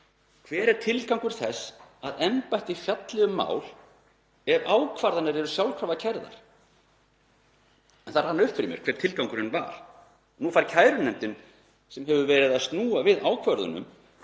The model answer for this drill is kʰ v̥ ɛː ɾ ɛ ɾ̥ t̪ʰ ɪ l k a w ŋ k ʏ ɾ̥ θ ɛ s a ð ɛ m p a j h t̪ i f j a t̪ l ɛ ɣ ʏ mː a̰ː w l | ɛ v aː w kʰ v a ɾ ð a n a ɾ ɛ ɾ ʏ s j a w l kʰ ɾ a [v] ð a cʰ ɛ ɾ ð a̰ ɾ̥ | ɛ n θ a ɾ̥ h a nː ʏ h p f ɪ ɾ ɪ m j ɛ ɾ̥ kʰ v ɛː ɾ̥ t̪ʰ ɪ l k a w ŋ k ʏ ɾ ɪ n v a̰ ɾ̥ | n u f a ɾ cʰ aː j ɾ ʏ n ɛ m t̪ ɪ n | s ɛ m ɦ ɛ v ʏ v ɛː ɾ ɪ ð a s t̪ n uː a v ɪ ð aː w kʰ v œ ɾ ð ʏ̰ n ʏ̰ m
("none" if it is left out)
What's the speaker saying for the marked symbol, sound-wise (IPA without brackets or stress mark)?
v